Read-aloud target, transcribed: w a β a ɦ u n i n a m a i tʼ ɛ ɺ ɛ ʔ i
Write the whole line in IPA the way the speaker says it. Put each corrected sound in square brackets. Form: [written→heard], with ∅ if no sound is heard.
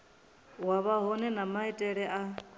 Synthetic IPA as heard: w a β a ɦ [u→ɔ] n [i→ɛ] n a m a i tʼ ɛ ɺ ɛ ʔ [i→a]

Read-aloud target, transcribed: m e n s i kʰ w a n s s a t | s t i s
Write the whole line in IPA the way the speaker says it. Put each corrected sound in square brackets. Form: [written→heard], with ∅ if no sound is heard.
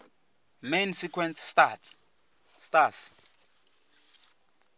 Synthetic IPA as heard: m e n s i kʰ w [a→ɛ] n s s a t | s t [i→a] s

